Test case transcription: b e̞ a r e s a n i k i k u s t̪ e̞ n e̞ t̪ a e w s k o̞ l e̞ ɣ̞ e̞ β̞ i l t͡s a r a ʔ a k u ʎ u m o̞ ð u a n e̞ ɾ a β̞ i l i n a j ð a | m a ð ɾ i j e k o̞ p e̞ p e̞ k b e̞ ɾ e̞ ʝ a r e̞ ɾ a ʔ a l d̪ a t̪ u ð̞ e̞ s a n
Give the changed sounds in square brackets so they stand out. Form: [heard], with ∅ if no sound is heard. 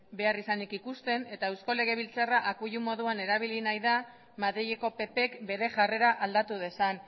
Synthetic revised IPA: b e̞ a r [i] s a n i k i k u s t̪ e̞ n e̞ t̪ a e w s k o̞ l e̞ ɣ̞ e̞ β̞ i l t͡s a r a ʔ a k u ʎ u m o̞ ð u a n e̞ ɾ a β̞ i l i n a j ð a | m a ð ɾ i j e k o̞ p e̞ p e̞ k b e̞ ɾ e̞ ʝ a r e̞ ɾ a ʔ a l d̪ a t̪ u ð̞ e̞ s a n